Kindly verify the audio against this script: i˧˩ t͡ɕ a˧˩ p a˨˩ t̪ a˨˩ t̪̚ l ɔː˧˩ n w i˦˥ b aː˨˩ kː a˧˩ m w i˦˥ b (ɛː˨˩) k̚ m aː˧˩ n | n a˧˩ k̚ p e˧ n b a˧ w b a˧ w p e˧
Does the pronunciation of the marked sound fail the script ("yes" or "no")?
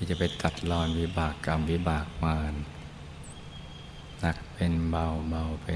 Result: yes